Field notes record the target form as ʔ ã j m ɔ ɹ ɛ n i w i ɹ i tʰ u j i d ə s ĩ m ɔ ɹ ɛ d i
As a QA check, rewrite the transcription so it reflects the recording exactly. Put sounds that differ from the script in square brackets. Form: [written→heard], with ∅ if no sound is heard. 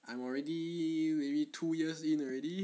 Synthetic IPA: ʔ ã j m ɔ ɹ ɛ [n→d] i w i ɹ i tʰ u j i [d→∅] ə s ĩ [m→n] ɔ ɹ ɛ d i